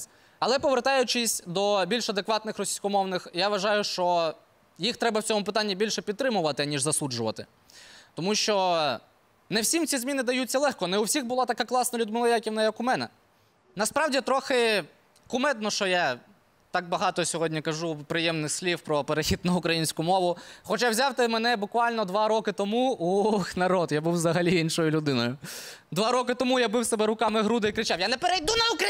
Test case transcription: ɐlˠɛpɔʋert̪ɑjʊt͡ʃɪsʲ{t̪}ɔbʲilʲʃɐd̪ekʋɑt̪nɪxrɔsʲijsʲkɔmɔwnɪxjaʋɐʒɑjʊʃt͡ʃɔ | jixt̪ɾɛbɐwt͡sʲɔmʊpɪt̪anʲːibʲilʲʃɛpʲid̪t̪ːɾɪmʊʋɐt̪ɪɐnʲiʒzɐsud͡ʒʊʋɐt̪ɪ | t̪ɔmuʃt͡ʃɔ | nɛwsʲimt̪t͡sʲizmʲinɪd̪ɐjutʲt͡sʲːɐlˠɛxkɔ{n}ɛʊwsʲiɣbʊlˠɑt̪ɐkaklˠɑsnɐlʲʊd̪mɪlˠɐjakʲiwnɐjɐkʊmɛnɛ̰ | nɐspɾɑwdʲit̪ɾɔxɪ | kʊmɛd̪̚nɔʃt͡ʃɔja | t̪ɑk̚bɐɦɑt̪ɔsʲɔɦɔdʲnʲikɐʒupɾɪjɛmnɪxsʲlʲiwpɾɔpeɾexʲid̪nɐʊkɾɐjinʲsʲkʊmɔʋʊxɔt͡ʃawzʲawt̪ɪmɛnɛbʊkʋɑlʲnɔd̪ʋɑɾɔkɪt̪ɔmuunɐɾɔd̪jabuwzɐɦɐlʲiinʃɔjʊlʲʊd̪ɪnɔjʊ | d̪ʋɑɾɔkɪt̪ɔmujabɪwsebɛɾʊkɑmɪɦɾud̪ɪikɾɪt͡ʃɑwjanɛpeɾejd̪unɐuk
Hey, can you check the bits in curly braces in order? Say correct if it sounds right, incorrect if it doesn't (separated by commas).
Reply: incorrect, correct